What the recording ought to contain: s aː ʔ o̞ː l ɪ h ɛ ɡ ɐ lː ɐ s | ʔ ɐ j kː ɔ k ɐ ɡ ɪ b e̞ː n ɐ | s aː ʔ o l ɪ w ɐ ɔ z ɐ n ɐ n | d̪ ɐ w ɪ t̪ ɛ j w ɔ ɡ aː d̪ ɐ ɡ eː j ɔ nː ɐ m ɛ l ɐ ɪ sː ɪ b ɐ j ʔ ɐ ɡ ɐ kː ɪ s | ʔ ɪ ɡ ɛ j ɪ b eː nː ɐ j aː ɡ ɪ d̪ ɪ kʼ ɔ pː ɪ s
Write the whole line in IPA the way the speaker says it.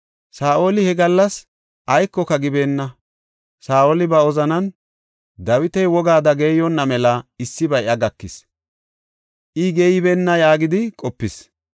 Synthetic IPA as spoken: s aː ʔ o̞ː l ɪ h ɛ ɡ ɐ lː ɐ s | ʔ ɐ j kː ɔ k ɐ ɡ ɪ b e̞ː nː ɐ | s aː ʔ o l ɪ b ɐ ɔ z ɐ n ɐ n | d̪ ɐ w ɪ t̪ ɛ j w ɔ ɡ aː d̪ ɐ ɡ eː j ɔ nː ɐ m ɛ l ɐ ɪ sː ɪ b ɐ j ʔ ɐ ɡ ɐ kː ɪ s | ʔ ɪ ɡ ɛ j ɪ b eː nː ɐ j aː ɡ ɪ d̪ ɪ kʼ ɔ pː ɪ s